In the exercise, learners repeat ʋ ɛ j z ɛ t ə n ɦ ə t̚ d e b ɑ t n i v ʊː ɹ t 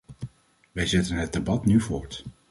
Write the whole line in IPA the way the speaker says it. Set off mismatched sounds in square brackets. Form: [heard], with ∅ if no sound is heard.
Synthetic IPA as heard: ʋ ɛ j z ɛ t ə n ɦ ə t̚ d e b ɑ t n [y] v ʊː ɹ t